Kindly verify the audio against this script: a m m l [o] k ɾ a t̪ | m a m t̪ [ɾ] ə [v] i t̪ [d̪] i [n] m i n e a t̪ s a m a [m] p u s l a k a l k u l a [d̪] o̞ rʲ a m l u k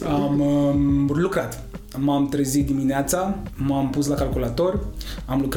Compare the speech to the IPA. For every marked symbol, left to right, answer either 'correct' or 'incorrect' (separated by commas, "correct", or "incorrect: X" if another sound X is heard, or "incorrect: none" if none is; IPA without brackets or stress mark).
incorrect: u, correct, incorrect: z, correct, incorrect: none, correct, incorrect: t̪